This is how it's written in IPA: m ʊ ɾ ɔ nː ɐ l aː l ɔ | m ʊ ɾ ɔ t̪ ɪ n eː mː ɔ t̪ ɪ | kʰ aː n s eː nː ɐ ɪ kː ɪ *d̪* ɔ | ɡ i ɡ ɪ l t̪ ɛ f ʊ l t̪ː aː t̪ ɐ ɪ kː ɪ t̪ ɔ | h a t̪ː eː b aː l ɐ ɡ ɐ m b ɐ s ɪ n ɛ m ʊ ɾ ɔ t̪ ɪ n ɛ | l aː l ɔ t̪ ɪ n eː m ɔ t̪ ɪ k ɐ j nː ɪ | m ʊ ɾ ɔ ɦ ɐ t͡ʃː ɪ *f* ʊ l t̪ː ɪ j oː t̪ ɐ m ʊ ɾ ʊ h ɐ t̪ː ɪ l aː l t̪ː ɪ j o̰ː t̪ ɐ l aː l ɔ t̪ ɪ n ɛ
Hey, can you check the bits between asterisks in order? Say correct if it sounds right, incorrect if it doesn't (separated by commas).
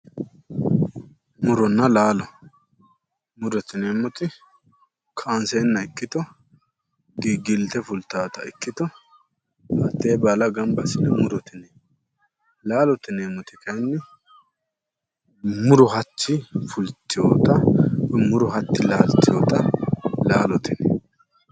incorrect, correct